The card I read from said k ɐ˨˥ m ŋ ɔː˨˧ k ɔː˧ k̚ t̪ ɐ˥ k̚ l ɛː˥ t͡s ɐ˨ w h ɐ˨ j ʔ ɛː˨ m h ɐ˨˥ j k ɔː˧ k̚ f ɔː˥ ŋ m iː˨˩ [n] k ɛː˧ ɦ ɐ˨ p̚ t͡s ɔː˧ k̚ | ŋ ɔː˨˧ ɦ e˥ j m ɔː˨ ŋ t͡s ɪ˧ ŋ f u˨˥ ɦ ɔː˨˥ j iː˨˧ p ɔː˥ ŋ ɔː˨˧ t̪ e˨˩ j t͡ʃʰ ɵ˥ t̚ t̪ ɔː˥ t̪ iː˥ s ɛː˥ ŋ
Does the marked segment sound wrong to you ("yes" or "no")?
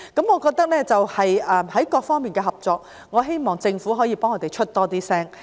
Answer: no